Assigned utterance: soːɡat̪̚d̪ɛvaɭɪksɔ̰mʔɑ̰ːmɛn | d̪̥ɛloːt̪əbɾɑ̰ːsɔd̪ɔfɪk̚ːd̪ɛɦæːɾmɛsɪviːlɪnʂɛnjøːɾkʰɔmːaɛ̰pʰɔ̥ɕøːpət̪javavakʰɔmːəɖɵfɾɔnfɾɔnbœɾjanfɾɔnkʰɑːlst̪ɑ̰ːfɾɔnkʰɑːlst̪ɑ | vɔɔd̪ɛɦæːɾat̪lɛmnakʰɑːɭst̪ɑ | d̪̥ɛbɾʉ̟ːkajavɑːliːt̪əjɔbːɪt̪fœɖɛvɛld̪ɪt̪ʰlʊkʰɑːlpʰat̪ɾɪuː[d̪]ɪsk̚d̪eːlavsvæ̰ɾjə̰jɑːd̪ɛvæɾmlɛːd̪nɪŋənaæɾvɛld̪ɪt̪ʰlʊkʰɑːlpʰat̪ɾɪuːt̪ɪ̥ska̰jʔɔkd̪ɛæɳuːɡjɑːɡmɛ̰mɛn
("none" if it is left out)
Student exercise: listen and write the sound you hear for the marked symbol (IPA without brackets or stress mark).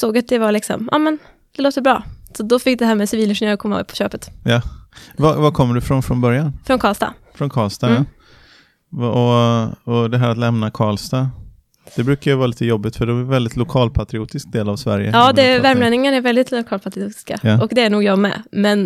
t̪